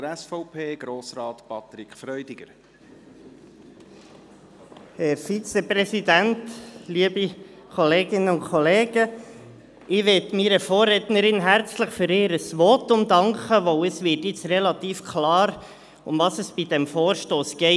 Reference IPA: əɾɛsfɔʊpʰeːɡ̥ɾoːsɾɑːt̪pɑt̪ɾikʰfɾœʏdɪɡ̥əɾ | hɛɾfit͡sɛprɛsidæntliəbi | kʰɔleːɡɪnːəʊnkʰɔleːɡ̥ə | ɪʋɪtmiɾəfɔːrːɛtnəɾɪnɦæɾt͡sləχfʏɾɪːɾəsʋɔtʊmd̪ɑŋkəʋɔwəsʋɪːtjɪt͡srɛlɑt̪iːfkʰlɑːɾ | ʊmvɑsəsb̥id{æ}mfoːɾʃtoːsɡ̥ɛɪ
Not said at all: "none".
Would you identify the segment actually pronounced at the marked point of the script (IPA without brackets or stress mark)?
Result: ɛ